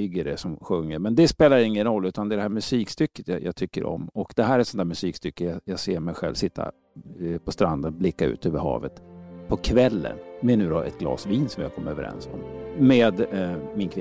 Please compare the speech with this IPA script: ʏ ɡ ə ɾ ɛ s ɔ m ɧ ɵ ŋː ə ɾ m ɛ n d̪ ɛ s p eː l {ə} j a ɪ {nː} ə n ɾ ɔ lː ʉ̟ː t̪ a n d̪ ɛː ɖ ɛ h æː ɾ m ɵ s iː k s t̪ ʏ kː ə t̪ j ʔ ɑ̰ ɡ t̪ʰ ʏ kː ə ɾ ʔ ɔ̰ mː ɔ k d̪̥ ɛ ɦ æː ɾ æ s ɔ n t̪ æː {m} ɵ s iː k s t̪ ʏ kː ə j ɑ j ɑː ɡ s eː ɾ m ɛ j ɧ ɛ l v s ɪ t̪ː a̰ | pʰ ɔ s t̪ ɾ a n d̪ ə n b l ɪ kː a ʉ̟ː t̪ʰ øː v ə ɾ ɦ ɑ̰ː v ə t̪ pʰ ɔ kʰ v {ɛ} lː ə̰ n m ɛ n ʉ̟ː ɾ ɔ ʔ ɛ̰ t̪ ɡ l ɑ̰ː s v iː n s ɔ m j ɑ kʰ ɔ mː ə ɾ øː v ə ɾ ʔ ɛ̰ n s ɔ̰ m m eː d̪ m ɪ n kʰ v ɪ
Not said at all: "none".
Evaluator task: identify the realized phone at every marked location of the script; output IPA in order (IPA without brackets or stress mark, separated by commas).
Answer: a, ŋː, m, ɛ